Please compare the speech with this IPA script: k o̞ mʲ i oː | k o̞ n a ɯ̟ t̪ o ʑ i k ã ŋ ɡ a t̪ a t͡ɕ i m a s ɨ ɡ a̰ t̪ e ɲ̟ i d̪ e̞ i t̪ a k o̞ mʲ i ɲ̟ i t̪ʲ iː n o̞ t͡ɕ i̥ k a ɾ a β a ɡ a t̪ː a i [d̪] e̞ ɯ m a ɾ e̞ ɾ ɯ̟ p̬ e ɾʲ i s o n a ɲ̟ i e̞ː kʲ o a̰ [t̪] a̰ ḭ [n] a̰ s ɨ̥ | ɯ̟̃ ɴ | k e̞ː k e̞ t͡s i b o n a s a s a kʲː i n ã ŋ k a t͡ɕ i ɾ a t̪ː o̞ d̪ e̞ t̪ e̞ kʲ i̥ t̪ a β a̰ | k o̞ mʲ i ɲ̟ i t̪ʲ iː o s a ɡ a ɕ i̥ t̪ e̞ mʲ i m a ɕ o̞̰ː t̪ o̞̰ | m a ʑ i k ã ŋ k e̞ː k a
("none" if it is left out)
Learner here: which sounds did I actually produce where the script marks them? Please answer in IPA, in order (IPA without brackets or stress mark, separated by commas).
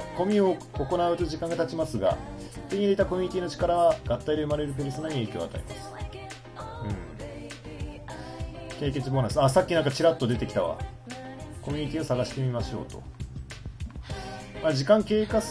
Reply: d̪, t̪, m